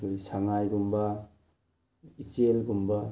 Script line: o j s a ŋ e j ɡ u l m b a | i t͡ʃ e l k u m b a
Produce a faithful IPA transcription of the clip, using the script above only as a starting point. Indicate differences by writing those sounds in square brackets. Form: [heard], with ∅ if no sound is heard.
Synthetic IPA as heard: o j s a ŋ [a] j ɡ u [∅] m b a | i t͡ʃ e l [ɡ] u m b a